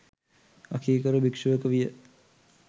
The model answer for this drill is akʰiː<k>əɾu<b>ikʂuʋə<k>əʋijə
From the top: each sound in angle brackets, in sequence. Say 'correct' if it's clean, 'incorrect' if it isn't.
correct, correct, correct

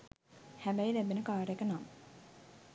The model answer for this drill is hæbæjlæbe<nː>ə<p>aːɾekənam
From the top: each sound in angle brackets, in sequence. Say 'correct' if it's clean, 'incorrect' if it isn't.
incorrect: n, incorrect: k

